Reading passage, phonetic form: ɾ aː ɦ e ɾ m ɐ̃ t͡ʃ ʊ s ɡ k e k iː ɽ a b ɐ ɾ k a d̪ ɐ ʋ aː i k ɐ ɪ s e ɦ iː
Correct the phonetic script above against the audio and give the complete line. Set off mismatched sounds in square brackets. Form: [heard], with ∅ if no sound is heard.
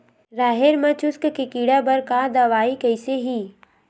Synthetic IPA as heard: ɾ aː ɦ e ɾ m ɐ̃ t͡ʃ ʊ s [k] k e k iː ɽ a b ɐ ɾ k a d̪ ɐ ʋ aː i k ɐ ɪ s e ɦ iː